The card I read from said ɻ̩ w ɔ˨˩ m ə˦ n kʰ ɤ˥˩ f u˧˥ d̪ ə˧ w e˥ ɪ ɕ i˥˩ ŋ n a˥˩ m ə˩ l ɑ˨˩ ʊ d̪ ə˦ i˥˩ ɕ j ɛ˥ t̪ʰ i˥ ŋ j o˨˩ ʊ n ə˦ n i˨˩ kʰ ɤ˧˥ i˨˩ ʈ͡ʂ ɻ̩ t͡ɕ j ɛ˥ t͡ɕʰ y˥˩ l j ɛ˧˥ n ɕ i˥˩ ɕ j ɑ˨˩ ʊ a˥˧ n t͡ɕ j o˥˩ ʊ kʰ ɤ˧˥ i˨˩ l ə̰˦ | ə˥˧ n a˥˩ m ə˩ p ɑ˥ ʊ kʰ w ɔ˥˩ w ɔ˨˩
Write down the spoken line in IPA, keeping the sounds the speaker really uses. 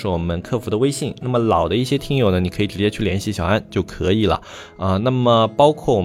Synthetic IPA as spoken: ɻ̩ w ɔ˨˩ m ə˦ n kʰ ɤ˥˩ f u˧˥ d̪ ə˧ w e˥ ɪ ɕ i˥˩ ŋ n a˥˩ m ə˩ l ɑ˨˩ ʊ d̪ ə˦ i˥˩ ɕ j ɛ˥ t̪ʰ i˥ ŋ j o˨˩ ʊ n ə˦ n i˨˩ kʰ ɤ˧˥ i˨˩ ʈ͡ʂ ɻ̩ t͡ɕ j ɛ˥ t͡ɕʰ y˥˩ l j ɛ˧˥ n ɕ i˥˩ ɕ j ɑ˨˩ ʊ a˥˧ n t͡ɕ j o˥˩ ʊ kʰ ɤ˧˥ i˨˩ l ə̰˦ | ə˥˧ n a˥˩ m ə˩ p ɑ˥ ʊ kʰ w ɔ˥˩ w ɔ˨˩